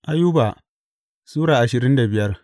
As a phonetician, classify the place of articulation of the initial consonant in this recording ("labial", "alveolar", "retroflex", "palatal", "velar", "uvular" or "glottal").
glottal